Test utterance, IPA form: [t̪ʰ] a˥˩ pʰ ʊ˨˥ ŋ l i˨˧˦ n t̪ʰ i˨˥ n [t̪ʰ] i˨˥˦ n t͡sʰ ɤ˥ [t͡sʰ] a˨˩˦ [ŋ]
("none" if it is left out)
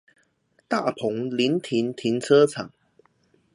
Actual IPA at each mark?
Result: t̪, t̪ʰ, t͡sʰ, ŋ

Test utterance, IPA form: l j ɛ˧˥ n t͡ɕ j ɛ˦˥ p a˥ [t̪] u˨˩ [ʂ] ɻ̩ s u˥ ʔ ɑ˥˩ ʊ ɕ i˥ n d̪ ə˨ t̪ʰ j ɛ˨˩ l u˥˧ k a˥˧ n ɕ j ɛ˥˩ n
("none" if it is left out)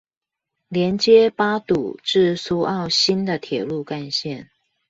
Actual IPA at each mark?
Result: t̪, ʈ͡ʂ

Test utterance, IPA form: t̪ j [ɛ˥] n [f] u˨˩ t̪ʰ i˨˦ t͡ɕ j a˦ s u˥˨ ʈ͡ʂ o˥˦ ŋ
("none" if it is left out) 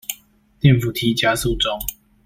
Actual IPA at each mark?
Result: ɛ˥˨, f

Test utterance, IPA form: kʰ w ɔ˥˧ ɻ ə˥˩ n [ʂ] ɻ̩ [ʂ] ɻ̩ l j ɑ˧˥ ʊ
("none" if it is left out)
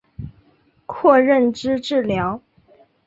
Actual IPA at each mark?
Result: ʈ͡ʂ, ʈ͡ʂ

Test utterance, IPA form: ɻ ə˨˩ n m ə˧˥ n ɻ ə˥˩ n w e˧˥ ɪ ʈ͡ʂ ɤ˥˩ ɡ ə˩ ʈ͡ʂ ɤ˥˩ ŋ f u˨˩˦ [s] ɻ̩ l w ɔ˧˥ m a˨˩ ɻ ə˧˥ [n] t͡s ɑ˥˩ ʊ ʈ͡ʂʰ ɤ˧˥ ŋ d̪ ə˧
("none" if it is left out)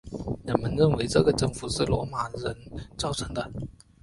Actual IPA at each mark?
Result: ʂ, n

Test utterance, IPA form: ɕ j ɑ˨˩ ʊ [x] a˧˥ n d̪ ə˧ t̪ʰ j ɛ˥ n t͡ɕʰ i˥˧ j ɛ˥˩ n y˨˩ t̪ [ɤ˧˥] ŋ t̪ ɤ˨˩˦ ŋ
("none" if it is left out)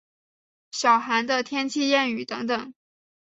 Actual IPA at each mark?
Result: x, ɤ˧˥

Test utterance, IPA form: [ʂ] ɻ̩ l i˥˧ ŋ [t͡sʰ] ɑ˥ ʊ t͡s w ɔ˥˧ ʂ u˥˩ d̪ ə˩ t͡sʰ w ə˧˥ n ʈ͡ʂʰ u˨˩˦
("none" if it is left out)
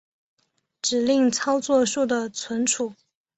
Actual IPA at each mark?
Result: ʈ͡ʂ, t͡sʰ

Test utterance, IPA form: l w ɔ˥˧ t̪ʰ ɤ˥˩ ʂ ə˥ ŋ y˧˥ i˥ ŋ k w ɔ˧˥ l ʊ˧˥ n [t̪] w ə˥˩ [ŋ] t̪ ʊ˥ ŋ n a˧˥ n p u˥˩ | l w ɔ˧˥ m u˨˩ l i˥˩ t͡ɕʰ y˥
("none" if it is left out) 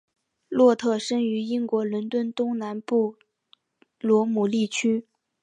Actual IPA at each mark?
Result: t̪, n

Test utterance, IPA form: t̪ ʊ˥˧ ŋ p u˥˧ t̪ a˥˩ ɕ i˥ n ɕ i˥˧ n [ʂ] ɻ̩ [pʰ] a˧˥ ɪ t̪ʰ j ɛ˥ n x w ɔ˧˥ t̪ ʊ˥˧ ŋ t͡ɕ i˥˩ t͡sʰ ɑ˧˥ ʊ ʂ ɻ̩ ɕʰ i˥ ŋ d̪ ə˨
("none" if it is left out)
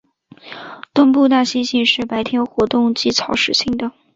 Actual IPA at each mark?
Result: ʂ, p

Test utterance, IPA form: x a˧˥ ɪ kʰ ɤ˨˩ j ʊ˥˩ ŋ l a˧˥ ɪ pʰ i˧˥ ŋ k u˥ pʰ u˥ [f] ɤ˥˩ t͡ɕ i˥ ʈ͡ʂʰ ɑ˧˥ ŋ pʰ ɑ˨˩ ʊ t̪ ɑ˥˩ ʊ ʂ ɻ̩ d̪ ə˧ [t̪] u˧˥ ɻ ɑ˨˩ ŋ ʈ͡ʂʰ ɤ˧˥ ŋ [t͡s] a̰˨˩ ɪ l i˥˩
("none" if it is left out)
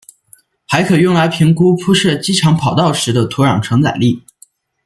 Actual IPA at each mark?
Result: ʂ, t̪ʰ, t͡s

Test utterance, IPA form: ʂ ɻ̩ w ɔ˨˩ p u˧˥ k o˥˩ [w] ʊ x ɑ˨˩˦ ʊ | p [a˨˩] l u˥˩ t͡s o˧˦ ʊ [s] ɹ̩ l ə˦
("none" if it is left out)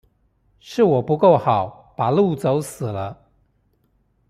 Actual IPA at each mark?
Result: none, a˨˩, s

